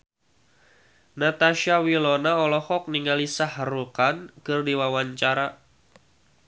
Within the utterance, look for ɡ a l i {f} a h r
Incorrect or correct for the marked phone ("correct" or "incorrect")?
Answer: incorrect